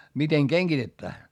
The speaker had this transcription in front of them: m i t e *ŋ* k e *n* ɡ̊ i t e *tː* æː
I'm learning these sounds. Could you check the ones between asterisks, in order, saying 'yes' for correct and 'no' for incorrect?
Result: yes, no, yes

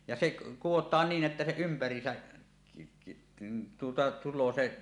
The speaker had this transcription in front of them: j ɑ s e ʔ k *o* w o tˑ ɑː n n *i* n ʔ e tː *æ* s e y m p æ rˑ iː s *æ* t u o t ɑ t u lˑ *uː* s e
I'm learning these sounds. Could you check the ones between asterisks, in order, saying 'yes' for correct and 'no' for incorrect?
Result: no, no, yes, yes, no

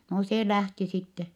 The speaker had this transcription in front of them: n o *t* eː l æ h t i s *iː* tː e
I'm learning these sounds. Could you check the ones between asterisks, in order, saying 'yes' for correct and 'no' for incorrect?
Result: no, no

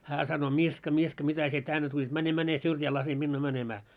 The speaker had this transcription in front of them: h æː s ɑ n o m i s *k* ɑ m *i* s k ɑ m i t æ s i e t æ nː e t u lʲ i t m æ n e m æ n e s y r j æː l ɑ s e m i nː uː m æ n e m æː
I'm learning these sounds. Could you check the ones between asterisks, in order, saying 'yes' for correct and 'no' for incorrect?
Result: yes, yes

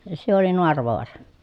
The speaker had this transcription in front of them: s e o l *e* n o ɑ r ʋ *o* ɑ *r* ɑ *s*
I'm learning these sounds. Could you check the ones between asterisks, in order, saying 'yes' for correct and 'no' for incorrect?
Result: no, yes, yes, no

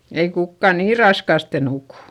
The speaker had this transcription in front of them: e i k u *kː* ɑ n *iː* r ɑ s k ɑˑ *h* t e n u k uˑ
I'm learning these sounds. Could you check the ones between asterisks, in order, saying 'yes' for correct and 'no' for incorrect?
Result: yes, yes, no

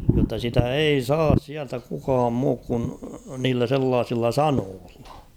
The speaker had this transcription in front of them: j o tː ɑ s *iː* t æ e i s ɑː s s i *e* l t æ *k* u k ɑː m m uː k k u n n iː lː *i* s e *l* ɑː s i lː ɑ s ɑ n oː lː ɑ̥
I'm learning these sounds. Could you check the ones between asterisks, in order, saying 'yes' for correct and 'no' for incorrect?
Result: no, no, yes, no, no

